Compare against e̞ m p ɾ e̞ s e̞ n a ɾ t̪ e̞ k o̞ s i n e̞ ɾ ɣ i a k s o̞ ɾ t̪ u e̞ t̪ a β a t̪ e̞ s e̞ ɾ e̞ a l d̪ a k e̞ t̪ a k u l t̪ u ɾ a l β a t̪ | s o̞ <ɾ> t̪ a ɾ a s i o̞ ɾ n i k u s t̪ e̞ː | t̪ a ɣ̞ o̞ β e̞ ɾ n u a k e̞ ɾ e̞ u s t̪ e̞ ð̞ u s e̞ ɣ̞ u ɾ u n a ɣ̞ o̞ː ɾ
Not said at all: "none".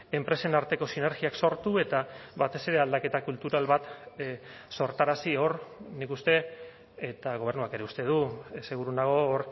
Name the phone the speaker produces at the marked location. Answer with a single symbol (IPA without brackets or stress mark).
ɾ